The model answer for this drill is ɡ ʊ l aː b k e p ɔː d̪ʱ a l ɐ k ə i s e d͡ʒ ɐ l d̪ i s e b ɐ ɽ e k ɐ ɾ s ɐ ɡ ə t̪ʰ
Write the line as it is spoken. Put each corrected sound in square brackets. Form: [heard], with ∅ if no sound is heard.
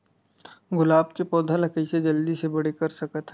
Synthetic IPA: ɡ ʊ l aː b k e p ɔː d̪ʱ a l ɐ k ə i s e d͡ʒ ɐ l d̪ i s e b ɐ ɽ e k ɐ ɾ s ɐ [k] ə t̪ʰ